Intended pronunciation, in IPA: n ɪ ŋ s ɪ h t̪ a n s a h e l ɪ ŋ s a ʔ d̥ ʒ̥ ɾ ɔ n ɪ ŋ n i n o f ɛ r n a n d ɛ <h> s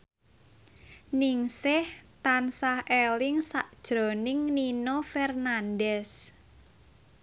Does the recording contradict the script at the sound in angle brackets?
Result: yes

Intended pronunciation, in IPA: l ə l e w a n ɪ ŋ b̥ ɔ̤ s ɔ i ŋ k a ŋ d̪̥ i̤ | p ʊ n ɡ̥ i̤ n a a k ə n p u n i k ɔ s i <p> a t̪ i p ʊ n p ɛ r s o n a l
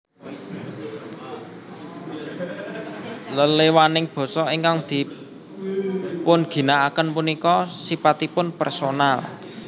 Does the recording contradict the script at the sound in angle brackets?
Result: no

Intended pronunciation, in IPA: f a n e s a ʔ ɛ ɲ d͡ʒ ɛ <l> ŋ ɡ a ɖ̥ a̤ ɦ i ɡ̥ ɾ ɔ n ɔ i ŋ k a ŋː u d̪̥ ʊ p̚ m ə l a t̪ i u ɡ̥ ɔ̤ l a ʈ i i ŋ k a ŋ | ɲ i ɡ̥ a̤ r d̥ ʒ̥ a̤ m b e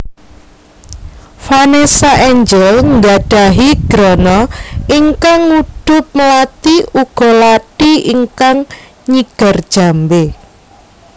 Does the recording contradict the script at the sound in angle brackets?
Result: no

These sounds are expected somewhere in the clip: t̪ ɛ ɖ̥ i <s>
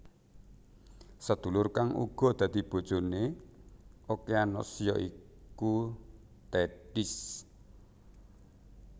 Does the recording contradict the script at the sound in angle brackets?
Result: no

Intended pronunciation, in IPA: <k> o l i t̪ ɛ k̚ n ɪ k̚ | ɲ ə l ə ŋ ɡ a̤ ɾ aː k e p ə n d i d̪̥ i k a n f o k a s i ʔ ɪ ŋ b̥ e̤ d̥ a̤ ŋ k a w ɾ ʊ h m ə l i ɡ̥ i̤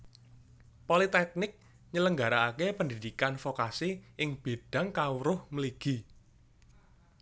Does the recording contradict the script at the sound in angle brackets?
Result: yes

